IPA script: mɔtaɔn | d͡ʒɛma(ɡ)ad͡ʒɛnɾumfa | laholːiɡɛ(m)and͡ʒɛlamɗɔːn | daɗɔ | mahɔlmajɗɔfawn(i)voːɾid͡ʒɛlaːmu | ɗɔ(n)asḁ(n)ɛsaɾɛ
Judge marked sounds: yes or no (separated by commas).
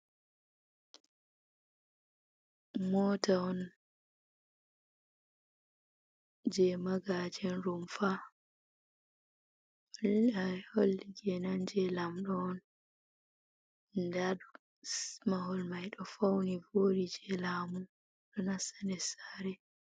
yes, no, yes, yes, yes